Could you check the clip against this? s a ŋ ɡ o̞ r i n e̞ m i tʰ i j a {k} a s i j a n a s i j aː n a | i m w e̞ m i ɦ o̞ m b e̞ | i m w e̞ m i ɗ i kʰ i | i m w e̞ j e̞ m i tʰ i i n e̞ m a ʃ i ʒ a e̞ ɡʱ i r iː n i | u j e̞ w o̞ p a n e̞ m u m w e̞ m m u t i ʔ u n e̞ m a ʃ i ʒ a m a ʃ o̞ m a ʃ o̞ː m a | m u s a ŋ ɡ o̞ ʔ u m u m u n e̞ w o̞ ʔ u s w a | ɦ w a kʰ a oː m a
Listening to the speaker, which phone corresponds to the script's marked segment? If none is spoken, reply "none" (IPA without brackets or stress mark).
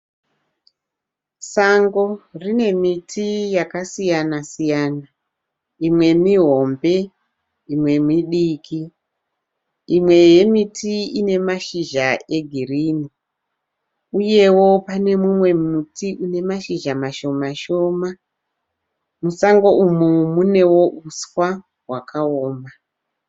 k